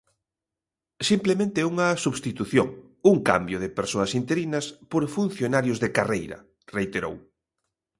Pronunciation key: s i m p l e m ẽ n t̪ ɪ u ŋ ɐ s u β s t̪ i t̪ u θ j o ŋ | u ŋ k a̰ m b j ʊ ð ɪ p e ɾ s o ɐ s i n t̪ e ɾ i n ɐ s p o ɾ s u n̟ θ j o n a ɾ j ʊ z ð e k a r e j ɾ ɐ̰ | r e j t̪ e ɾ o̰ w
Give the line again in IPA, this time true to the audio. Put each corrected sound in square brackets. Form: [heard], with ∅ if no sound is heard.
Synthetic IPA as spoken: s i m p l e m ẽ n t̪ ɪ u ŋ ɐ s u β s t̪ i t̪ u θ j o ŋ | u ŋ k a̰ m b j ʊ ð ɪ p e ɾ s o ɐ s i n t̪ e ɾ i n ɐ s p o ɾ [f] u n̟ θ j o n a ɾ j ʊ z ð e k a r e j ɾ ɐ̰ | r e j t̪ e ɾ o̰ w